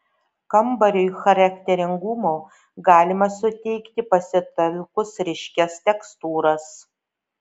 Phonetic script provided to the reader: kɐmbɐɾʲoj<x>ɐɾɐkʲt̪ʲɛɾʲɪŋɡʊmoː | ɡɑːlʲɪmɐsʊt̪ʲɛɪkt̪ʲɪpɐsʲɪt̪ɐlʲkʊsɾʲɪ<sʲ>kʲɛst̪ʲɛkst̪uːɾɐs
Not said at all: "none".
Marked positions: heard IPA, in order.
x, ʃʲ

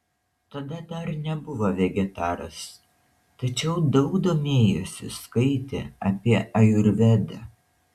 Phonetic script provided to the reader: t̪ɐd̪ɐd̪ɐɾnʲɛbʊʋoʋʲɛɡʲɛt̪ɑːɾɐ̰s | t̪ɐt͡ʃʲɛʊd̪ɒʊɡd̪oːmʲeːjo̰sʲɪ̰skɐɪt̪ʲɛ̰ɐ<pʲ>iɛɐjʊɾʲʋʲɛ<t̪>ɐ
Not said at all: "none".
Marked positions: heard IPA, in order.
pʲ, d̪

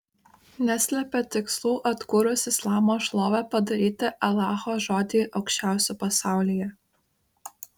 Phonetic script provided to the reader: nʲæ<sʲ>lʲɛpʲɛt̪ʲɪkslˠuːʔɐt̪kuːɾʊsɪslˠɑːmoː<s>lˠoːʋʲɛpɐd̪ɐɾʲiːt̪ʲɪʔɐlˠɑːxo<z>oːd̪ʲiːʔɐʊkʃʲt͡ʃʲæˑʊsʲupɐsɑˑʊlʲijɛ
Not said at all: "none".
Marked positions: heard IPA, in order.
sʲ, ʃ, ʒ

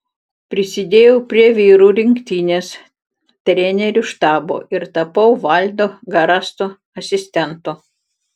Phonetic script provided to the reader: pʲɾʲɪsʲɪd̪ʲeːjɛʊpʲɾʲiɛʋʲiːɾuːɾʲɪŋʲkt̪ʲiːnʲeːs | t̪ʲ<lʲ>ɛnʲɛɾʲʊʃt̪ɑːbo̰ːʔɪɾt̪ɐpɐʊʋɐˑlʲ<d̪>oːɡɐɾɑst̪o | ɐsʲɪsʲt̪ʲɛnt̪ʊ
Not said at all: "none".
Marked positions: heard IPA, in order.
ɾʲ, d̪

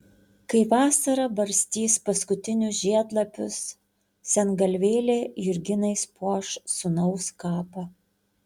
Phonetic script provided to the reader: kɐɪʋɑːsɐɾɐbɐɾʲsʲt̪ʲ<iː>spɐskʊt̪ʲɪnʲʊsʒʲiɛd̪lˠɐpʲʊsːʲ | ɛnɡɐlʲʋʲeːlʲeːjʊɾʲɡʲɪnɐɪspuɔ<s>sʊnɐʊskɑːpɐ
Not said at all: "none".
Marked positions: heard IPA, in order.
iː, ʃ

